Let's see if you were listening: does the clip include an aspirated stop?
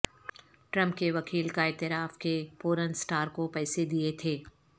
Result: yes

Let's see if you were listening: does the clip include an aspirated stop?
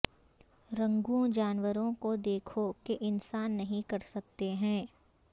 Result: yes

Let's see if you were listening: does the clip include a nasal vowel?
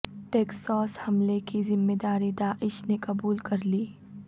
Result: no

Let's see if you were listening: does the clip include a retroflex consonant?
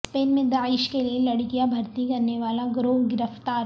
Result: yes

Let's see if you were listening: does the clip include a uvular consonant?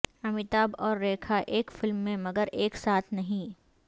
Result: no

